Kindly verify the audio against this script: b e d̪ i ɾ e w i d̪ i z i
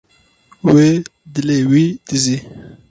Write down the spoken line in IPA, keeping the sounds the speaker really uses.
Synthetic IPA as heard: w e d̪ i l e w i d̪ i z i